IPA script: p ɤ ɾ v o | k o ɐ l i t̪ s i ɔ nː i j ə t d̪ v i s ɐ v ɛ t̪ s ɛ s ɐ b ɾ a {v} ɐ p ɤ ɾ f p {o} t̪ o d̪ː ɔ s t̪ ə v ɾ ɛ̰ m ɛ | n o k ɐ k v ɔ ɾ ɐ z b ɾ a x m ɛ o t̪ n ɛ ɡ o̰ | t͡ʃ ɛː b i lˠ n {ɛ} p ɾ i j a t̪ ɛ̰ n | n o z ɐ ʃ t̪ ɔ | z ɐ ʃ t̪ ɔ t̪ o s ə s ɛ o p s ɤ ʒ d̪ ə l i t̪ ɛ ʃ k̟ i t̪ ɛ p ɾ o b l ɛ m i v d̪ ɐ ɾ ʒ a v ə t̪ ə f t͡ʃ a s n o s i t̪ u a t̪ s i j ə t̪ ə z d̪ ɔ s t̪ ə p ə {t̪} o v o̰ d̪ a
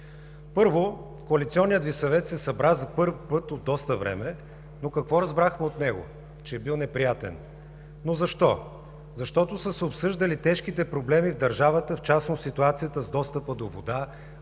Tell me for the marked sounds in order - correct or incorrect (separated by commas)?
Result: incorrect, incorrect, correct, incorrect